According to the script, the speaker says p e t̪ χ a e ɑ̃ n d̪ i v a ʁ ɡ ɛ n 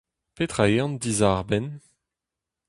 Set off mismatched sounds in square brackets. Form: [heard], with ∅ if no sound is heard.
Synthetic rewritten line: p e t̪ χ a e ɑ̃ n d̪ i [z] a ʁ [b] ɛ n

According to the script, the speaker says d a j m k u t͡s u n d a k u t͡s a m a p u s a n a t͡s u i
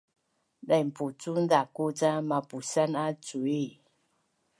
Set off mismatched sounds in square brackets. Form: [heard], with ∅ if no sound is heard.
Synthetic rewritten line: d a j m [p] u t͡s u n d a k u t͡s a m a p u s a n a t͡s u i

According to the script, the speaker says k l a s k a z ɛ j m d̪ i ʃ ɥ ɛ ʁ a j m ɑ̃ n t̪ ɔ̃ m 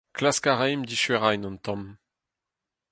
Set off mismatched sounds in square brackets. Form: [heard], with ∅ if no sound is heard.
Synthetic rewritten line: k l a s k a [ʁ] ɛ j m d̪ i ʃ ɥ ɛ ʁ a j [n] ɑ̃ n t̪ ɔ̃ m

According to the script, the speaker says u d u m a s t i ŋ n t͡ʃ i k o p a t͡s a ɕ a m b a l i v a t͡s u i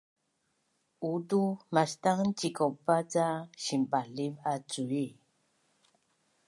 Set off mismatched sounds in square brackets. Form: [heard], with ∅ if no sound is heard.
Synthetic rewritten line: u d u m a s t [a] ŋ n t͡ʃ i k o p a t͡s a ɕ [i] m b a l i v a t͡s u i

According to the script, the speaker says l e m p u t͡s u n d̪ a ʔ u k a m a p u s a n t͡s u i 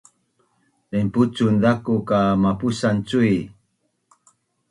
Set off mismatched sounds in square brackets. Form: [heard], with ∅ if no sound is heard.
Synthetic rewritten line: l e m p u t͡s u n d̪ a [k] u k a m a p u s a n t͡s u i

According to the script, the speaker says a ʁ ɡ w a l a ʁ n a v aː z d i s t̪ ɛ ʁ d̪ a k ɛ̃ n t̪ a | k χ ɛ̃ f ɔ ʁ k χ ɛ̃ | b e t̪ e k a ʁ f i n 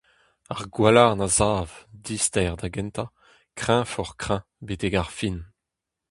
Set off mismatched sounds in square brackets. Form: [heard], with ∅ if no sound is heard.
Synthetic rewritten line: a ʁ ɡ w a l a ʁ n a [z] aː [v] d i s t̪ ɛ ʁ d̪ a [ɡ] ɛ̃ n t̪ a | k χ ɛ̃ f ɔ ʁ k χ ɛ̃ | b e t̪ e [ɡ] a ʁ f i n

